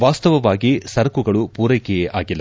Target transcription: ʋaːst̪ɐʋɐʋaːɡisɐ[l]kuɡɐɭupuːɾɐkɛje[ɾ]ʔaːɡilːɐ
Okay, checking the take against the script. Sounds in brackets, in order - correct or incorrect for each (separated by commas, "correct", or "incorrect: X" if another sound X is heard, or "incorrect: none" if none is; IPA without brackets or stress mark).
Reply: incorrect: ɾ, incorrect: none